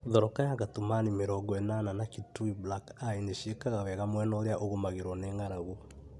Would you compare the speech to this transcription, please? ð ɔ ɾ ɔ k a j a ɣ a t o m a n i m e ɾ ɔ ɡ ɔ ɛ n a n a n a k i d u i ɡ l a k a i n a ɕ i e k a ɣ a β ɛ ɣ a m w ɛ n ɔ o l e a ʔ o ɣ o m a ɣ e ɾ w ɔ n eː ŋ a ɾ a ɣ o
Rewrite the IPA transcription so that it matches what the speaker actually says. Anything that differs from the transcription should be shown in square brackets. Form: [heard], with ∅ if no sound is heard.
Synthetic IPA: ð ɔ ɾ ɔ k a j a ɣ a t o m a n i m e ɾ ɔ ɡ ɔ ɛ n a n a n a k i [t] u i [b] l a k a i n [e] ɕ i e k a ɣ a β ɛ ɣ a m w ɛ n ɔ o [ɾ] e a ʔ o ɣ o m a ɣ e ɾ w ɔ n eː ŋ a ɾ a ɣ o